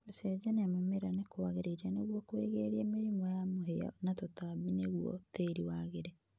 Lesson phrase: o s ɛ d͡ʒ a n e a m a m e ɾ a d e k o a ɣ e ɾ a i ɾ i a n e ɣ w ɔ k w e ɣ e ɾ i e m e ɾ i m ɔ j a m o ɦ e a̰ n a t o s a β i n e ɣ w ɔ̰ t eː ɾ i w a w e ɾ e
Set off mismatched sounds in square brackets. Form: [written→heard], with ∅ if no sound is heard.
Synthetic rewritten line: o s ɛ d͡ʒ a n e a m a m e ɾ a [d→n] e k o a ɣ e ɾ [a→e] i ɾ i a n e ɣ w ɔ k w e ɣ e ɾ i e m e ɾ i m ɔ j a m o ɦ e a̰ n a t o [s→t] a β i n e ɣ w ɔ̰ t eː ɾ i w a [w→ɣ] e ɾ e

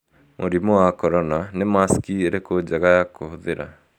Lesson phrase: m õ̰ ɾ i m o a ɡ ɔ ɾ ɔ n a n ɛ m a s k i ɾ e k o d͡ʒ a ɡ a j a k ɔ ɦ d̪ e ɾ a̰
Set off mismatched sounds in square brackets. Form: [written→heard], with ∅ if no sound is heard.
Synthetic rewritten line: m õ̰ ɾ i m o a [ɡ→k] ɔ ɾ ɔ n a n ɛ m a s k i ɾ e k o d͡ʒ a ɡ a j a k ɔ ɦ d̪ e ɾ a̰

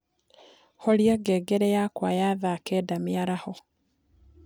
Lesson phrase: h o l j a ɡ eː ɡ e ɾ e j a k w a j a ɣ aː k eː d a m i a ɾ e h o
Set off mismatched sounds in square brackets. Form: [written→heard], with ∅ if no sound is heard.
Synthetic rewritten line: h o l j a ɡ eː ɡ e ɾ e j a k w a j a [ɣ→ð] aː k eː d a m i a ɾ [e→a] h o

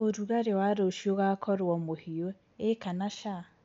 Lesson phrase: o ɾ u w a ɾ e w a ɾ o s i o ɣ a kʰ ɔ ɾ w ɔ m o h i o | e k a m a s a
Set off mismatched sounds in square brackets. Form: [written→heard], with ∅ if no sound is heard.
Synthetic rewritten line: o ɾ u [w→ɣ] a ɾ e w a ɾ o [s→ʃ] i o ɣ a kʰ ɔ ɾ w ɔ m o h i o | e k a [m→n] a [s→ʃ] a

